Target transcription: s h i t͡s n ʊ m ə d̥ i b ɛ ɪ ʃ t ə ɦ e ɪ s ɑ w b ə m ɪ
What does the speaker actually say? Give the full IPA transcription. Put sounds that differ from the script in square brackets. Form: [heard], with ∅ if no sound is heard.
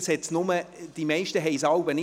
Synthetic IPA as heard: s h [ɛ] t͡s n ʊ m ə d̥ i [m] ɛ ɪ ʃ t ə ɦ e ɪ s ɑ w b ə [n] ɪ